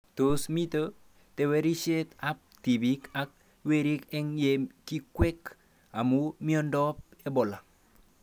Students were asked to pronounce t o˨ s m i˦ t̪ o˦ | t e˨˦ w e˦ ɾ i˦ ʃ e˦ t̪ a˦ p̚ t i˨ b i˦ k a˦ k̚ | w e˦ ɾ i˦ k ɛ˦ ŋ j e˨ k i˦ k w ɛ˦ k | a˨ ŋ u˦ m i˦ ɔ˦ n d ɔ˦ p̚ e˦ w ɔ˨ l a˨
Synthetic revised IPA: t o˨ s m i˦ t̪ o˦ | t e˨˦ w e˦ ɾ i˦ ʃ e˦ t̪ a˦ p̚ t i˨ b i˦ k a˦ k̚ | w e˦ ɾ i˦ k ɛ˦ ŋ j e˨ k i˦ k w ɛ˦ k | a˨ m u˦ m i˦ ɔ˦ n d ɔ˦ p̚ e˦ b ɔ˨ l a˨